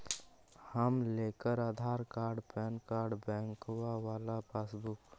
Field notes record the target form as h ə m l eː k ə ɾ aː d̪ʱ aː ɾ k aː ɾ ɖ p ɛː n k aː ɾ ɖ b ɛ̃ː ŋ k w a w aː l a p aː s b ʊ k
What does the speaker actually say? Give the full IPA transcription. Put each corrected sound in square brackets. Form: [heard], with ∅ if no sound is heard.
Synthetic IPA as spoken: h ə m l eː k ə ɾ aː d̪ʱ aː ɾ k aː ɾ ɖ p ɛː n k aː ɾ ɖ b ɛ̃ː ŋ k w a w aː l a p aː s b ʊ k

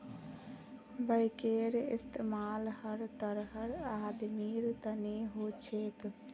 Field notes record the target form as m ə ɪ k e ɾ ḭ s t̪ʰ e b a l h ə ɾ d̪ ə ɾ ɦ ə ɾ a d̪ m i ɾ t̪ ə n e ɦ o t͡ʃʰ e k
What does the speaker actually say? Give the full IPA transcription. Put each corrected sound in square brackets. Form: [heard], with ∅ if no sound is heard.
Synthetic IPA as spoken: [b] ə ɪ k e ɾ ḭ s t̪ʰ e [m] a l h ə ɾ [t̪] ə ɾ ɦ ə ɾ a d̪ m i ɾ t̪ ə n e ɦ o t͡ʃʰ e k

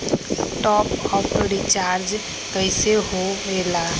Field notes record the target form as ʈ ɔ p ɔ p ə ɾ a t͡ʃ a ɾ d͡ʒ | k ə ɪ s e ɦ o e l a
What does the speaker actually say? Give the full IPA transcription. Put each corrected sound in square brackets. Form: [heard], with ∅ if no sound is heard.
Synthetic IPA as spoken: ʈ ɔ p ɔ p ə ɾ [i] t͡ʃ a ɾ d͡ʒ | k ə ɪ s e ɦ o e l a

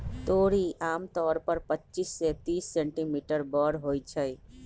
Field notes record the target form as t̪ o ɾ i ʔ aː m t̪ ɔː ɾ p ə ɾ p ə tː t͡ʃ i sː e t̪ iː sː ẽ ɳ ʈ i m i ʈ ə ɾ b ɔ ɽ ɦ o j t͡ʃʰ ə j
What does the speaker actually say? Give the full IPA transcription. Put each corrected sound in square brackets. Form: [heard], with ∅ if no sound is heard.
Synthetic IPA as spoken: t̪ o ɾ i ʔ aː m t̪ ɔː ɾ p ə ɾ p ə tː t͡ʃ i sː e t̪ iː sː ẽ ɳ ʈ i m i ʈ ə ɾ b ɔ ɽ ɦ o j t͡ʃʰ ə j

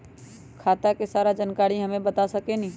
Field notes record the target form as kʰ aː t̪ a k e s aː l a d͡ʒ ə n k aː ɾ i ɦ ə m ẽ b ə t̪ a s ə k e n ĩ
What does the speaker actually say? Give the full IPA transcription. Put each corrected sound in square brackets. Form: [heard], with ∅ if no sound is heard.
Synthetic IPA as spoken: kʰ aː t̪ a k e s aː [ɾ] a d͡ʒ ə n k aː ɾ i ɦ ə m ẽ b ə t̪ a s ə k e n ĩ

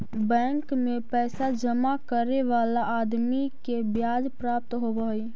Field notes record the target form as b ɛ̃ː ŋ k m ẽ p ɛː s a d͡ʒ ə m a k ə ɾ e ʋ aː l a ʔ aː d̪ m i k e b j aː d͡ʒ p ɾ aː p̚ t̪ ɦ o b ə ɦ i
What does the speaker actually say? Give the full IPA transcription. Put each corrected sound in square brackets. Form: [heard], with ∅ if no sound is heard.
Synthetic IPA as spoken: b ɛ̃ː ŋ k m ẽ p ɛː s a d͡ʒ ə m a k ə ɾ e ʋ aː l a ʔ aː d̪ m i k e b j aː d͡ʒ p ɾ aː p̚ t̪ ɦ o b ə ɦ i

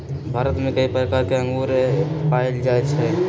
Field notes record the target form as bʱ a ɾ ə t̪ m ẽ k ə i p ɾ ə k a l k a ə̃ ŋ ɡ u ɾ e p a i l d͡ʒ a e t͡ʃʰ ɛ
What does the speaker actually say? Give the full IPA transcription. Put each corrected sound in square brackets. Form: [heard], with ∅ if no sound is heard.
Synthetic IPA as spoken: bʱ a ɾ ə t̪ m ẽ k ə i p ɾ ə k a [ɾ] k [e] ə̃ ŋ ɡ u ɾ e p a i l d͡ʒ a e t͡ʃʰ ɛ

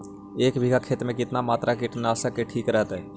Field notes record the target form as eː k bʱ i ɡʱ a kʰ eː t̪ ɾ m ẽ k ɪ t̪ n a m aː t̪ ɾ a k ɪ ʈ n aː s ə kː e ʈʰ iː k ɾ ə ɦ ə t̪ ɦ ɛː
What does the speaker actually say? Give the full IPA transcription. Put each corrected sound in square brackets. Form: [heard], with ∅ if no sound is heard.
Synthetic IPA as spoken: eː k bʱ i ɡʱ a kʰ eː t̪ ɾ m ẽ k ɪ t̪ n a m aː t̪ ɾ a k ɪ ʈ n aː s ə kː e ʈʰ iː k ɾ ə ɦ ə t̪ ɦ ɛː

